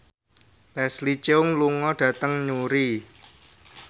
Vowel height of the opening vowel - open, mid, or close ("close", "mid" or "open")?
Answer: mid